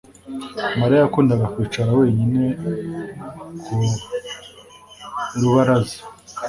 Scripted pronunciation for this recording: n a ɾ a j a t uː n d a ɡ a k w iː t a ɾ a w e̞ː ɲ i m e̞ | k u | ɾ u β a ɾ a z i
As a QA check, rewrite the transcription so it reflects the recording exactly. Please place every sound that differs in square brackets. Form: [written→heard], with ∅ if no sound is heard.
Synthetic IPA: [n→m] a ɾ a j a [t→k] uː n d a ɡ a k w iː [t→t͡ʃ] a ɾ a w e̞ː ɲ i [m→n] e̞ | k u | ɾ u β a ɾ a z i